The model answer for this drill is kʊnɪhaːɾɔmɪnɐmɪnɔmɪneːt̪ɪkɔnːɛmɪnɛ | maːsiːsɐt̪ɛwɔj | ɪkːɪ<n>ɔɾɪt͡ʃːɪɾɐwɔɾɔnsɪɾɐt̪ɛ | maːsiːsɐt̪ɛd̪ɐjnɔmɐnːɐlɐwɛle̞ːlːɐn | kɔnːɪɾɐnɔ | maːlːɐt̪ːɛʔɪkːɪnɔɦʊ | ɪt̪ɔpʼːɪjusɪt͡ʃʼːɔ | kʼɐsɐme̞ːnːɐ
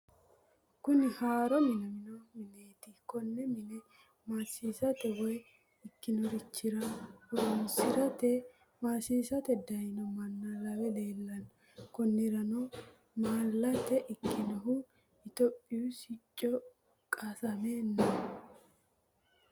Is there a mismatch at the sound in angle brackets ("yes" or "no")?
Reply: no